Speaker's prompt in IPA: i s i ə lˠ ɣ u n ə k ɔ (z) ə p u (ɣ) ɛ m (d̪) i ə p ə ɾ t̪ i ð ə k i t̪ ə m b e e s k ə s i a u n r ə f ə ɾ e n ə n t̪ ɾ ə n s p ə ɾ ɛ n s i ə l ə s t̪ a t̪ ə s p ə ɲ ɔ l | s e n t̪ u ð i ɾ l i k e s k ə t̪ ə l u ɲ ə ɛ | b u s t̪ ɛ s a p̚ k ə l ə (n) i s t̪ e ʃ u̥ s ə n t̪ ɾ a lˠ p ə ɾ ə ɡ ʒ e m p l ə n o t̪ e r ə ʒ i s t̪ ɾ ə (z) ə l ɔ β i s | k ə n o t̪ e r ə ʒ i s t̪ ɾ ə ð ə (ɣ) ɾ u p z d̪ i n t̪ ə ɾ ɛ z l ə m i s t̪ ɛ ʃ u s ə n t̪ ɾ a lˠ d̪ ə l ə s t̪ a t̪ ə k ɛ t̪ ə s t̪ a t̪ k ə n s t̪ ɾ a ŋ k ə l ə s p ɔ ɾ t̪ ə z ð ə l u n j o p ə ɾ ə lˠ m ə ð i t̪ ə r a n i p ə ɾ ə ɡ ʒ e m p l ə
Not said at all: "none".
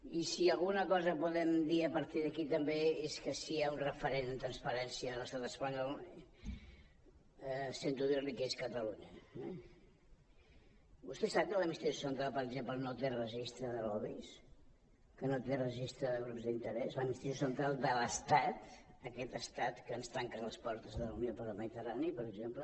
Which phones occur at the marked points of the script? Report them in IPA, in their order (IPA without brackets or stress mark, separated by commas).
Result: z, ð, d̪, m, ð, ɣ